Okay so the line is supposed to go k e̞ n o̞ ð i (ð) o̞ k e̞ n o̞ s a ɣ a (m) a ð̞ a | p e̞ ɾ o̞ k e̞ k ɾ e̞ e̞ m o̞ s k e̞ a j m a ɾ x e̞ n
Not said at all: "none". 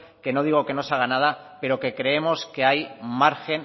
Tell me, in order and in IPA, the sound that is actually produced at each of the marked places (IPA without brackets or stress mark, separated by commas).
ɣ, n